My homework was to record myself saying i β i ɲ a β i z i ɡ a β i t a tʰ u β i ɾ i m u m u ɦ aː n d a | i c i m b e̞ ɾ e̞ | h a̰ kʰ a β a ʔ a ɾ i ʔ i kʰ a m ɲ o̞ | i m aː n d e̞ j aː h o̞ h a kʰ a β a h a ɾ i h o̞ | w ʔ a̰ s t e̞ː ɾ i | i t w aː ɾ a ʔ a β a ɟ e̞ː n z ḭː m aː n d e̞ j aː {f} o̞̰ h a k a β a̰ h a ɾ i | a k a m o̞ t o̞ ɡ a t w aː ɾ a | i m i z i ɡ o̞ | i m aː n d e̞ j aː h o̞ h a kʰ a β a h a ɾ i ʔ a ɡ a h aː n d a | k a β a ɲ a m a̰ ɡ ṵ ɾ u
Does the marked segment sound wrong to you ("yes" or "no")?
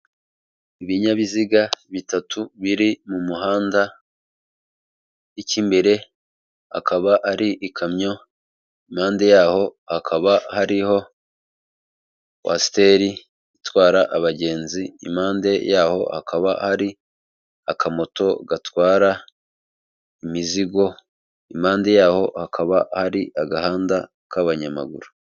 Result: yes